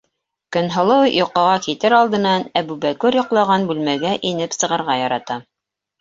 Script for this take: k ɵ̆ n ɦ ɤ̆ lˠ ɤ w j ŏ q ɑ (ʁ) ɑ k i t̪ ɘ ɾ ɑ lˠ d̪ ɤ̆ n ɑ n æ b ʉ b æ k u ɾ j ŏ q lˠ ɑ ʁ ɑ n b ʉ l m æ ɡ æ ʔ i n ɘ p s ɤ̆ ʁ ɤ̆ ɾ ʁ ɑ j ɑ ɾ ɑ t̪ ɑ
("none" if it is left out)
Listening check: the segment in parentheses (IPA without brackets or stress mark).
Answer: ʁ